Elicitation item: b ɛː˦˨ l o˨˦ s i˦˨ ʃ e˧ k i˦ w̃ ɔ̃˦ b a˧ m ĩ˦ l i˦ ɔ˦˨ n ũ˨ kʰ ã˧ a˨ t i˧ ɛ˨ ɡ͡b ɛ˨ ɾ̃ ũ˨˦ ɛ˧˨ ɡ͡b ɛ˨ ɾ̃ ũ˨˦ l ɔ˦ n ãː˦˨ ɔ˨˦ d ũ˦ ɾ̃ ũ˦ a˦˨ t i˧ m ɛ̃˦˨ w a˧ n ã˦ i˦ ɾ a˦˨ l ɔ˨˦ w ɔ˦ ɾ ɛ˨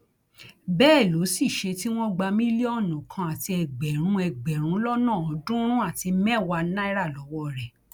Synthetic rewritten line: b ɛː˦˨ l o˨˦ s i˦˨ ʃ e˧ t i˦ w̃ ɔ̃˦ ɡ͡b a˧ m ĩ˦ l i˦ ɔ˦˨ n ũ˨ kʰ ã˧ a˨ t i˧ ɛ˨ ɡ͡b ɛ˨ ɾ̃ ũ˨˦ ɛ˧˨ ɡ͡b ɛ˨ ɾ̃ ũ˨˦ l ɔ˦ n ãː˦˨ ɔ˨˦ d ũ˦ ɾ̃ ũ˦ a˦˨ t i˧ m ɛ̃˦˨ w a˧ n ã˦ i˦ ɾ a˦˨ l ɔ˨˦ w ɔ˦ ɾ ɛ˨